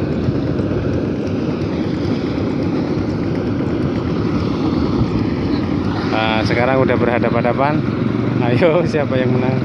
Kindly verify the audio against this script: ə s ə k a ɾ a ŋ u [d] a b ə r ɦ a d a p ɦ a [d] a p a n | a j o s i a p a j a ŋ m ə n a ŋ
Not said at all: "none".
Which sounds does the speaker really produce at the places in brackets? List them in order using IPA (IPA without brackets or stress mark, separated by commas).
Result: d, d